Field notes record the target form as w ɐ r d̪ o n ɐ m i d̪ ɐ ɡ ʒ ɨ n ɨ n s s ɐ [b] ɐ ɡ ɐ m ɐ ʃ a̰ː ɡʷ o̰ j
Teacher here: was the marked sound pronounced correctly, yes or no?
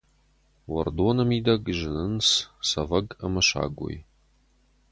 no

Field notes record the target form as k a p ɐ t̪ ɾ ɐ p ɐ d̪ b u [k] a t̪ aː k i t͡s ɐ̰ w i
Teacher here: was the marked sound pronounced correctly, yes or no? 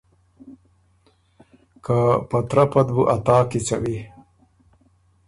no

